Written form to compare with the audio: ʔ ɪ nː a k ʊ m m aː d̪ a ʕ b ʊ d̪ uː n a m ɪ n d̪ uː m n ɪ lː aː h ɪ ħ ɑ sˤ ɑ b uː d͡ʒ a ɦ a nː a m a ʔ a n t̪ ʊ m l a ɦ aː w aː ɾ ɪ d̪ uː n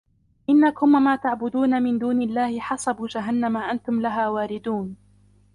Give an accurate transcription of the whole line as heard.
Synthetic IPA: ʔ ɪ nː a k ʊ m m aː t̪ a ʕ b ʊ d̪ uː n a m ɪ n d̪ uː n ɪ lː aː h ɪ ħ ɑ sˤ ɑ b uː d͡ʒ a ɦ a nː a m a ʔ a n t̪ ʊ m l a ɦ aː w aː ɾ ɪ d̪ uː n